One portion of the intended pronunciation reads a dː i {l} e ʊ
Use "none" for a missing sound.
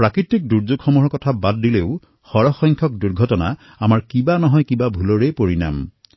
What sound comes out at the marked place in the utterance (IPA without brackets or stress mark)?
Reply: l